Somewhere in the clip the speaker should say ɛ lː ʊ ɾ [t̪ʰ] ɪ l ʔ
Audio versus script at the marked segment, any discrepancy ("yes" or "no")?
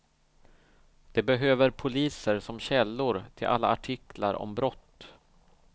no